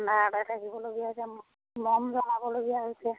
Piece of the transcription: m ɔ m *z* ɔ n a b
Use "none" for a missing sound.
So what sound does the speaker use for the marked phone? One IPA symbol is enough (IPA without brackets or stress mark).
z